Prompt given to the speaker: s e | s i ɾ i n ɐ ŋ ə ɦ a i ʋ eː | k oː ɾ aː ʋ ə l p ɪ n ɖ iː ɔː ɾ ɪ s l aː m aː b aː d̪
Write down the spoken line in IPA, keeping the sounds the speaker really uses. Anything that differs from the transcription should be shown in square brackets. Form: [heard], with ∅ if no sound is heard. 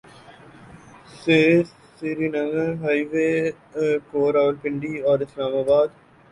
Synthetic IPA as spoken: s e | s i ɾ i n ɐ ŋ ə ɦ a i ʋ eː | k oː ɾ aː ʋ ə l p ɪ [ɳ] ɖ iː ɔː ɾ ɪ s l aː m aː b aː d̪